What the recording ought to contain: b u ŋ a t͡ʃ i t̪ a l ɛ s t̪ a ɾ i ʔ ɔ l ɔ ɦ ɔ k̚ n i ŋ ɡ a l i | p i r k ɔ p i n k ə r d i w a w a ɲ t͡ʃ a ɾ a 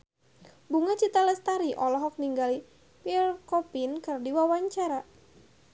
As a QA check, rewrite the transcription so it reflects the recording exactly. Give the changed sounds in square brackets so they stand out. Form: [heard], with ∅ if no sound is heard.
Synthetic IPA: b u ŋ a t͡ʃ i t̪ a l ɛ s t̪ a ɾ i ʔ ɔ l ɔ ɦ ɔ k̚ n i ŋ ɡ a l i | p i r k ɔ p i n k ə r d i w a w a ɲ t͡ʃ a ɾ a